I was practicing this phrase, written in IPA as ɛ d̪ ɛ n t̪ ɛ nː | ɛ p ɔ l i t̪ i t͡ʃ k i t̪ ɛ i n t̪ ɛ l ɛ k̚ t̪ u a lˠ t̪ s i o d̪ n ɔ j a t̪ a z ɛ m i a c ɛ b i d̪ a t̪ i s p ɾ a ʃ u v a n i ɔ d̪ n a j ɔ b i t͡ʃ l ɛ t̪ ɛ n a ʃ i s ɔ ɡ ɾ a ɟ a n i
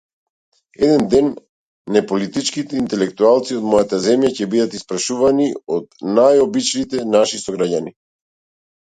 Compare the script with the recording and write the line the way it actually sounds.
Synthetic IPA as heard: ɛ d̪ ɛ n d̪ ɛ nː | ɛ p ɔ l i t̪ i t͡ʃ k i t̪ ɛ i n t̪ ɛ l ɛ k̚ t̪ u a lˠ t̪ s i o d̪ m ɔ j a t̪ a z ɛ m j a c ɛ b i d̪ a t̪ i s p ɾ a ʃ u v a n i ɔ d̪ n a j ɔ b i t͡ʃ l i t̪ ɛ n a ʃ i s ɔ ɡ ɾ a ɟ a n i